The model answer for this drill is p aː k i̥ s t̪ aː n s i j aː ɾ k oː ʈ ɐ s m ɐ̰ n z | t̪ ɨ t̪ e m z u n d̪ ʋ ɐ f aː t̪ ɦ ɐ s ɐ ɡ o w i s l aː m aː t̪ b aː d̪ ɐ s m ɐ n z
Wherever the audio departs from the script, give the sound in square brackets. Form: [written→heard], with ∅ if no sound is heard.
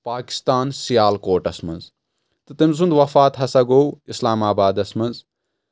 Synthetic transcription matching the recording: p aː k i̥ s t̪ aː n s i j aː [ɾ→l] k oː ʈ ɐ s m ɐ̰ n z | t̪ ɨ t̪ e m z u n d̪ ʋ ɐ f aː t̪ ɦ ɐ s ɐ ɡ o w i s l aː m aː [t̪→∅] b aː d̪ ɐ s m ɐ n z